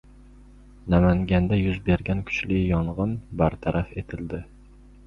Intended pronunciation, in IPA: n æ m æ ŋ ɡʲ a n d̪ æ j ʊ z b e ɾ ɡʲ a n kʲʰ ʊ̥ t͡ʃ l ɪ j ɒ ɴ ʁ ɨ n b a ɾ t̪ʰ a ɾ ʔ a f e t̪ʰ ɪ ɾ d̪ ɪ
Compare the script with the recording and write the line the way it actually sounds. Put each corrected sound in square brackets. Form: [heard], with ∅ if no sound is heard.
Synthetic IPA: n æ m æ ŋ ɡʲ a n d̪ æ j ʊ z b e ɾ ɡʲ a n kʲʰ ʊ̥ t͡ʃ l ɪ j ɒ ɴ ʁ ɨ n b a ɾ t̪ʰ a ɾ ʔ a f e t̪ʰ ɪ [l] d̪ ɪ